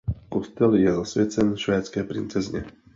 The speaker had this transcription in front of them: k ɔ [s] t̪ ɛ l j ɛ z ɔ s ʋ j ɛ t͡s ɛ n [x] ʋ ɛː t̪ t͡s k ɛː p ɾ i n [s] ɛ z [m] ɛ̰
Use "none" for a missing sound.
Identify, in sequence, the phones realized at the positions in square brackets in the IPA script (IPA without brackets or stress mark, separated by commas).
s, ʃ, t͡s, ɲ